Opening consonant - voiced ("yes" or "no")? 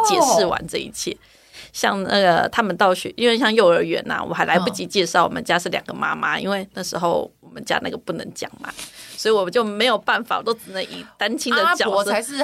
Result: no